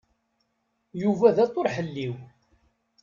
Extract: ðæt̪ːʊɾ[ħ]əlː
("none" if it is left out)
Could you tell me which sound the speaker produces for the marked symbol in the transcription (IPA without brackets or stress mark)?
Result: ħ